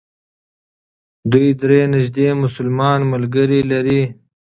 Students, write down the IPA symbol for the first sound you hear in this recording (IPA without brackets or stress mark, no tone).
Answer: d̪